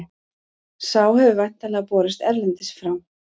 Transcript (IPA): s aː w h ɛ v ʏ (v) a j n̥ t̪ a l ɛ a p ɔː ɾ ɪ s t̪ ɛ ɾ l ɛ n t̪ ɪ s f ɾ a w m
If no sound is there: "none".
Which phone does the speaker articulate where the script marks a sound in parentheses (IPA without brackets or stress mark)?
v